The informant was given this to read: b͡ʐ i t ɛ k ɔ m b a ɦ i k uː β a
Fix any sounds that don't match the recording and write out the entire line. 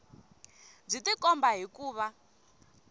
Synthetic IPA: b͡ʐ i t i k ɔ m b a ɦ i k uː β a